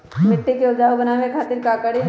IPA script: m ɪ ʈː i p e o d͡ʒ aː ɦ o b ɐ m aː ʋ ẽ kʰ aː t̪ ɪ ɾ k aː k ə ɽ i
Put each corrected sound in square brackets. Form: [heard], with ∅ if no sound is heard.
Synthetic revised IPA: m ɪ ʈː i [k] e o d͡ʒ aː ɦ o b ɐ [n] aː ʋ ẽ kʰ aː t̪ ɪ ɾ k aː k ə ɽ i